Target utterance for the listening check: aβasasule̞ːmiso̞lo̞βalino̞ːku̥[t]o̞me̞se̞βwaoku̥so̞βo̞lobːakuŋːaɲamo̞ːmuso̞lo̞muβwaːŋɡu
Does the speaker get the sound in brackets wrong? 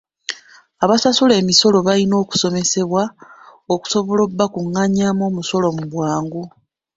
yes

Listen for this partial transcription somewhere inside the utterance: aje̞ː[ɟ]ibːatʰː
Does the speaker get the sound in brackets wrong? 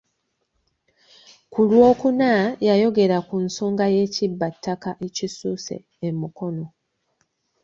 yes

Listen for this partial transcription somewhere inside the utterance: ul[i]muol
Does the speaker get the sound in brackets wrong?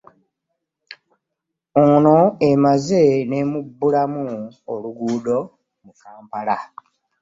yes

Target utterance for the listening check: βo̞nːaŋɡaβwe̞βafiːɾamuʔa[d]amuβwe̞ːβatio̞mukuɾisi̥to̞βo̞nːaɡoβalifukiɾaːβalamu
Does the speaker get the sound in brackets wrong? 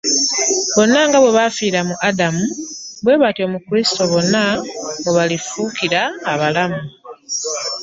no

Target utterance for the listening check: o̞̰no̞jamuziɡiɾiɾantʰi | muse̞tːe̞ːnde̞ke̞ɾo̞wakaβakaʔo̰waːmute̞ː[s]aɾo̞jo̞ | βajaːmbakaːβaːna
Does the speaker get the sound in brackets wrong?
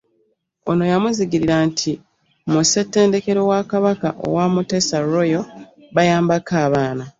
no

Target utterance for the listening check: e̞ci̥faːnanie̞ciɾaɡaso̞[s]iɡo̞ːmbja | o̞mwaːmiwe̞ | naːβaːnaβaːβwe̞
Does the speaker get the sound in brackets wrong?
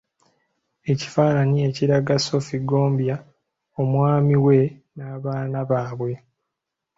yes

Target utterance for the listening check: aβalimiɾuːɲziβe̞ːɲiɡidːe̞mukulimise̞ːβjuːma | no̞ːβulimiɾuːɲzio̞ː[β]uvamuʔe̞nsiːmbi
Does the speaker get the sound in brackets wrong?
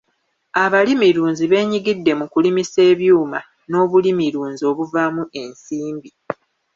no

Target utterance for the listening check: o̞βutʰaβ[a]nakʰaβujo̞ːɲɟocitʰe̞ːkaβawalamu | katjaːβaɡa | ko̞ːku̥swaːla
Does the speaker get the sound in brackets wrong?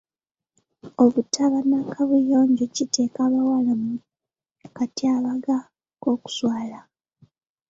no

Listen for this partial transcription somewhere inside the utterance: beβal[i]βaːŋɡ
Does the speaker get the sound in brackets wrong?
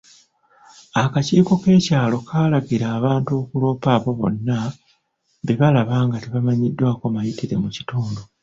yes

